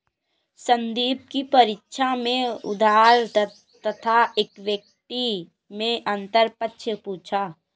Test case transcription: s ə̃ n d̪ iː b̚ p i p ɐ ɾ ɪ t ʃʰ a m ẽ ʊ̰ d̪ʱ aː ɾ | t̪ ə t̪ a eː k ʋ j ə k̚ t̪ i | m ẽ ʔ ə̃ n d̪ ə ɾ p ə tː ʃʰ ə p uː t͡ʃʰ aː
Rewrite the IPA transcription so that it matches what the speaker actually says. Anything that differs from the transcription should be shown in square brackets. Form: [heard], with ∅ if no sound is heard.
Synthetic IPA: s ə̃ n d̪ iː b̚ [k] i p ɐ ɾ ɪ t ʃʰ a m ẽ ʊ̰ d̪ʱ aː ɾ | t̪ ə [t̪ʰ] a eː k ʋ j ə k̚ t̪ i | m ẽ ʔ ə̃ n [t̪] ə ɾ p ə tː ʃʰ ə p uː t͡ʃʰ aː